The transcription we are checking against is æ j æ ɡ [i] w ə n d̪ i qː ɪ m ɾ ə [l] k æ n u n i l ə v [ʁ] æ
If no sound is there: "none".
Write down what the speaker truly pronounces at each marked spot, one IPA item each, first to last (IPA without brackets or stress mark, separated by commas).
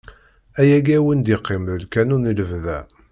æ, l, ð